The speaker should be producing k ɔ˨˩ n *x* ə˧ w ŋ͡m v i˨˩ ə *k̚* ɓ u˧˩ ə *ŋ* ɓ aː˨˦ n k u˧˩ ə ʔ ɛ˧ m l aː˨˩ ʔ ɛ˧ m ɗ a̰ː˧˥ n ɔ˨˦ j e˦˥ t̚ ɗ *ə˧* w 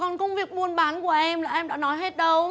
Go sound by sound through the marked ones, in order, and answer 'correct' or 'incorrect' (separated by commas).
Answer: incorrect, correct, incorrect, correct